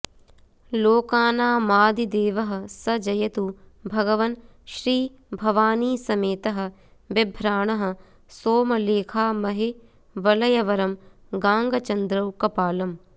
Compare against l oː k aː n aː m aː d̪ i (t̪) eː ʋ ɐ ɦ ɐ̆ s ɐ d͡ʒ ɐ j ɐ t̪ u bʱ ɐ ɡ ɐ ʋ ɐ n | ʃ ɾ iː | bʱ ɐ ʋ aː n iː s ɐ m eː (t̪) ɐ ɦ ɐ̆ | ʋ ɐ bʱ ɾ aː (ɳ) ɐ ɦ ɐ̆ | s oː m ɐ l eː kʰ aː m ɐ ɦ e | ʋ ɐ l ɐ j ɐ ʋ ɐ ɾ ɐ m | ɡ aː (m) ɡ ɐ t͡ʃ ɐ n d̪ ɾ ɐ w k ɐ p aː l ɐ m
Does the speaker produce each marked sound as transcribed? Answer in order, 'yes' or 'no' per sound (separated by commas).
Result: no, yes, yes, no